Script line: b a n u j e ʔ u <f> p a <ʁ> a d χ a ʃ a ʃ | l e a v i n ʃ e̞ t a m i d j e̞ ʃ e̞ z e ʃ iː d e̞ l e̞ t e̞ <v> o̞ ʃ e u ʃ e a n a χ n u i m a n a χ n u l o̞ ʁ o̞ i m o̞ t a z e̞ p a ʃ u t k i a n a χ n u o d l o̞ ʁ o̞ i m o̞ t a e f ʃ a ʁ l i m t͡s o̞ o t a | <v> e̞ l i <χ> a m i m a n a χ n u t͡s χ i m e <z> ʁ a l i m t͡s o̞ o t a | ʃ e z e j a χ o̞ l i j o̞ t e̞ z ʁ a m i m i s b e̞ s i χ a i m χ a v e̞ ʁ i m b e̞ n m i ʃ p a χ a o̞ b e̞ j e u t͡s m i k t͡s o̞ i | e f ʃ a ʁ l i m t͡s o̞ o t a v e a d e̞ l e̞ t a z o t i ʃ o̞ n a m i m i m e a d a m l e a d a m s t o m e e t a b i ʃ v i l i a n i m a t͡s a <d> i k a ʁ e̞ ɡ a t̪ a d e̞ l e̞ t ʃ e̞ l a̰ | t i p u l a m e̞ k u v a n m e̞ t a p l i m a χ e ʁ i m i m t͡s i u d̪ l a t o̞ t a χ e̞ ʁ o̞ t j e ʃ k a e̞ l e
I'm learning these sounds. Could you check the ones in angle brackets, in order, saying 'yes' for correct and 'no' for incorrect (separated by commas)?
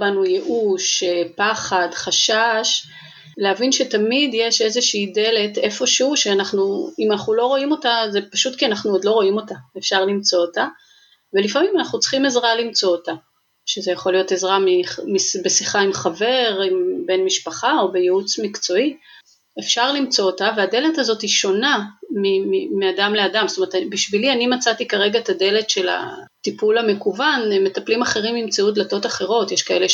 no, no, no, yes, no, yes, no